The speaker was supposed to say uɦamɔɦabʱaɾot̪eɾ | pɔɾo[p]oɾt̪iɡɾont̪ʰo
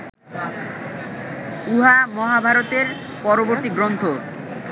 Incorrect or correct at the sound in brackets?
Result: incorrect: b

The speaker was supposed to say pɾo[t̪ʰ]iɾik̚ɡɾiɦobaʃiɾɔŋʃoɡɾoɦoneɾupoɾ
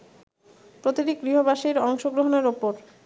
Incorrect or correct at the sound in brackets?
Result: incorrect: t̪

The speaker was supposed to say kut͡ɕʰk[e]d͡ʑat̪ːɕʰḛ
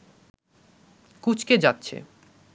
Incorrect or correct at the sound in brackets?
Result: correct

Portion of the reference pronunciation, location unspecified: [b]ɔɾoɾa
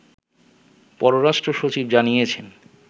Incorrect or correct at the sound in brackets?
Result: incorrect: p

